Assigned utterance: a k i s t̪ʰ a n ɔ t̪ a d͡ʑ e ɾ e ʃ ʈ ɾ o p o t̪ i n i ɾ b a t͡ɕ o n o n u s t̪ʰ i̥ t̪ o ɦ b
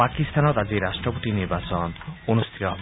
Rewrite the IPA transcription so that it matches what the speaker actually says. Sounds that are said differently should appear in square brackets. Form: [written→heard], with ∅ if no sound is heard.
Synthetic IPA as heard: a k i s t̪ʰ a n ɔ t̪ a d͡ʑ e ɾ [e→a] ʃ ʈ ɾ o p o t̪ i n i ɾ b a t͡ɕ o n o n u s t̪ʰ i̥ t̪ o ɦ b

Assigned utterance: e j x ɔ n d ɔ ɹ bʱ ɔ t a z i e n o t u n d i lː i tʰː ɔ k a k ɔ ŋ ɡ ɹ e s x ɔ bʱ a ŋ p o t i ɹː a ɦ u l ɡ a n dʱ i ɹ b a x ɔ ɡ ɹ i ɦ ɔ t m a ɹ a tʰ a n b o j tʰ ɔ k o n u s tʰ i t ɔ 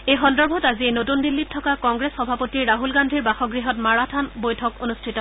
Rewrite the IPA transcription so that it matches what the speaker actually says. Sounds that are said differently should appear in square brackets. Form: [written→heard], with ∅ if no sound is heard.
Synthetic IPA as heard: e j x ɔ n d ɔ ɹ bʱ ɔ t a z i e n o t u n d i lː i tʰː ɔ k a k ɔ ŋ ɡ ɹ e s x ɔ bʱ a [ŋ→∅] p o t i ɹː a ɦ u l ɡ a n dʱ i ɹ b a x ɔ ɡ ɹ i ɦ ɔ t m a ɹ a tʰ a n b o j tʰ ɔ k o n u s tʰ i t ɔ

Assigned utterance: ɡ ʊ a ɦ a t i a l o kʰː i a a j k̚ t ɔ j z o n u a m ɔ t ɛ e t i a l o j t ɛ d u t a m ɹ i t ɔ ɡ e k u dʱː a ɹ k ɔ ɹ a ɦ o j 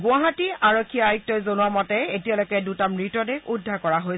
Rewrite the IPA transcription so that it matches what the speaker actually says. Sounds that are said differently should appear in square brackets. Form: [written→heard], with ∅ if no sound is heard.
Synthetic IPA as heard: ɡ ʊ a ɦ a t i a [l→ɹ] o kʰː i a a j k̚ t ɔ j z o n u a m ɔ t ɛ e t i a l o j [t→k] ɛ d u t a m ɹ i t ɔ [ɡ→d] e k u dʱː a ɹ k ɔ ɹ a ɦ o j

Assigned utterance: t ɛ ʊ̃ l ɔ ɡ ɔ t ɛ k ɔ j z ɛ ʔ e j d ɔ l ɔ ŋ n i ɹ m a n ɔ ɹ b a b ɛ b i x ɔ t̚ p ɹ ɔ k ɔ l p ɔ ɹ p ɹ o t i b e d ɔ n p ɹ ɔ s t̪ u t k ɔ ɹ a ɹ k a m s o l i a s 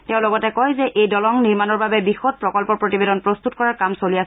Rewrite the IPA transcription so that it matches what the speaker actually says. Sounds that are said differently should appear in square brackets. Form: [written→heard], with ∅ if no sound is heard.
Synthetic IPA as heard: t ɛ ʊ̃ l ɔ ɡ ɔ t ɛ k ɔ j z ɛ ʔ e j d ɔ l ɔ ŋ n i ɹ m a n ɔ ɹ b a b ɛ b i x ɔ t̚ p ɹ ɔ k ɔ l p ɔ ɹ p ɹ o t i b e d ɔ n p ɹ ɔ s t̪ u t k ɔ ɹ a ɹ k a m s o l i a s

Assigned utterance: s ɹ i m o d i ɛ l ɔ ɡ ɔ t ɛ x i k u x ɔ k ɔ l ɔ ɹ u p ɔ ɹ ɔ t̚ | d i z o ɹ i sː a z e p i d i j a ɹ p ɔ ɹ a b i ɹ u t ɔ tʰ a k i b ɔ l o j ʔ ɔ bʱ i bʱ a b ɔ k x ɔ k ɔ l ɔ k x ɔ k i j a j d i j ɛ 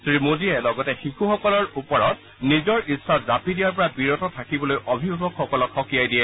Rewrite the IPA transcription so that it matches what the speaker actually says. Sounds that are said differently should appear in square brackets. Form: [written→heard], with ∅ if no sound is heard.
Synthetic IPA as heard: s ɹ i m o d i ɛ l ɔ ɡ ɔ t ɛ x i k u x ɔ k ɔ l ɔ ɹ u p ɔ ɹ ɔ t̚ | [d→n] i z [o→ɔ] ɹ i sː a z [e→a] p i d i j a ɹ p ɔ ɹ a b i ɹ [u→ɔ] t ɔ tʰ a k i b ɔ l o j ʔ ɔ bʱ i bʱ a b ɔ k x ɔ k ɔ l ɔ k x ɔ k i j a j d i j ɛ

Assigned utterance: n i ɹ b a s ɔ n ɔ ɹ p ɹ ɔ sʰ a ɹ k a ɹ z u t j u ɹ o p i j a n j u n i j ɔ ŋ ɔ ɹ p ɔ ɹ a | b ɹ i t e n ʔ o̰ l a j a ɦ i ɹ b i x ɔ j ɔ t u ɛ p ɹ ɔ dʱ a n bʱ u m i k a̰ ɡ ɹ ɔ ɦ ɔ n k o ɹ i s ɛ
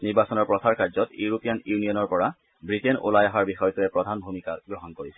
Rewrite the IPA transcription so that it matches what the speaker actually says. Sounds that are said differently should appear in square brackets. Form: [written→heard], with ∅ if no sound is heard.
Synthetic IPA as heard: n i ɹ b a s ɔ n ɔ ɹ p ɹ ɔ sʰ a ɹ k a ɹ z [u→ɔ] t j u ɹ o p i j a n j u n i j ɔ [ŋ→n] ɔ ɹ p ɔ ɹ a | b ɹ i t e n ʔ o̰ l a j a ɦ [i→a] ɹ b i x ɔ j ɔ t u ɛ p ɹ ɔ dʱ a n bʱ u m i k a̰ ɡ ɹ ɔ ɦ ɔ n k o ɹ i s ɛ

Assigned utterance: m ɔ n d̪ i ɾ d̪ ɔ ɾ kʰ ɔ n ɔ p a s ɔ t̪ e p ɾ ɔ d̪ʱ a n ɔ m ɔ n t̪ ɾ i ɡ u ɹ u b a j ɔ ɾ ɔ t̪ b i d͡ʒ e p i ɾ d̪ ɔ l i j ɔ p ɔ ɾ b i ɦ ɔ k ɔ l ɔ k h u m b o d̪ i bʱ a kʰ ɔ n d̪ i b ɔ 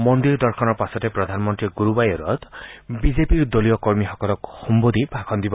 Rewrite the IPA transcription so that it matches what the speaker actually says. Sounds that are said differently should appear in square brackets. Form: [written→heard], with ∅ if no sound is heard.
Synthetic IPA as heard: m ɔ n d̪ i ɾ d̪ ɔ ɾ kʰ ɔ n ɔ p a s ɔ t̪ e p ɾ ɔ d̪ʱ a n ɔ m ɔ n t̪ ɾ i ɡ u [ɹ→ɾ] u b a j ɔ ɾ ɔ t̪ b i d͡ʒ e p i ɾ d̪ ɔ l i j ɔ [p→k] ɔ ɾ [b→m] i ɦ ɔ k ɔ l ɔ k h u m b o d̪ i bʱ a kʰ ɔ n d̪ i b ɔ

